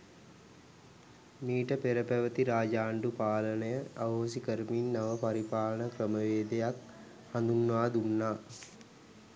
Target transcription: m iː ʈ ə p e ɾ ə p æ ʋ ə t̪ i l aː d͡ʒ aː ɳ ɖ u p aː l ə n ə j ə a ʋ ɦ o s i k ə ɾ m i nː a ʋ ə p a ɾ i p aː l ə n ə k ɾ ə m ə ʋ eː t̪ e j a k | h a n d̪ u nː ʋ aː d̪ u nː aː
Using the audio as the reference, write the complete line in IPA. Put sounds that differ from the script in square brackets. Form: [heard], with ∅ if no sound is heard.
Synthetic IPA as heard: m iː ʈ ə p e ɾ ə p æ ʋ ə t̪ i [ɾ] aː d͡ʒ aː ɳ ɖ u p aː l ə n ə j ə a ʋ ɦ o s i k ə ɾ m i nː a ʋ ə p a ɾ i p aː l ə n ə k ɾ ə m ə ʋ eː [d̪] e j a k | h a n d̪ u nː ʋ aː d̪ u nː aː